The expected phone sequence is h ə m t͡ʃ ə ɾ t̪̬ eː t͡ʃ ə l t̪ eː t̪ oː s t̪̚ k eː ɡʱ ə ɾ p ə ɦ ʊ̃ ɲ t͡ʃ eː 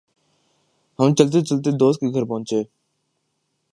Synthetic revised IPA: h ə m t͡ʃ ə l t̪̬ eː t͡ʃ ə l t̪ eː d̪ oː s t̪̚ k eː ɡʱ ə ɾ p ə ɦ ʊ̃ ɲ t͡ʃ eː